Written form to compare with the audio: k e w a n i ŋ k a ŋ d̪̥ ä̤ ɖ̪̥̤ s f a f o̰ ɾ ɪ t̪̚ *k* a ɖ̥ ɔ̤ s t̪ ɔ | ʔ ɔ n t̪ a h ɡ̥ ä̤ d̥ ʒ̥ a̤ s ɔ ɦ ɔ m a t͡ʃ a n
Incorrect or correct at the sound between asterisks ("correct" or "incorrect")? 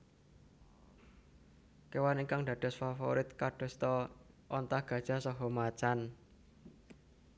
correct